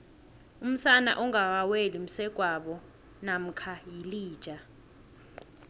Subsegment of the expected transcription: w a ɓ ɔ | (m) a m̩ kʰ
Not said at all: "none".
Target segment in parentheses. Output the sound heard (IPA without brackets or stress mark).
n